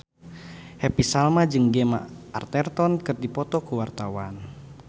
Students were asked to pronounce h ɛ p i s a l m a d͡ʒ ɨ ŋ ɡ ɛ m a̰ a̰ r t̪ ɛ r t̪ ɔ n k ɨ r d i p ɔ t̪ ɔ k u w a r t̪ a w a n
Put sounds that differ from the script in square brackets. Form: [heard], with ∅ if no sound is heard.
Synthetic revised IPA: h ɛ p i s a l m a d͡ʒ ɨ ŋ ɡ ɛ m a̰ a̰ r t̪ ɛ r t̪ ɔ n k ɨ r d i p ɔ t̪ ɔ k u w a r t̪ a w a n